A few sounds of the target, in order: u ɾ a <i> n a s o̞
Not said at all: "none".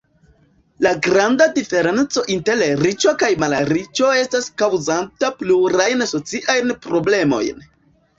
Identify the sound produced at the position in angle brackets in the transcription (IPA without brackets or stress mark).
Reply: j